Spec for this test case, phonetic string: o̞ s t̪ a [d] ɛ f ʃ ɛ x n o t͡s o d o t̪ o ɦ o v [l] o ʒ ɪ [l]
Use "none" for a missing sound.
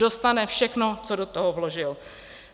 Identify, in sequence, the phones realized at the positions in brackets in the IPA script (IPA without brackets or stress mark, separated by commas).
n, l, l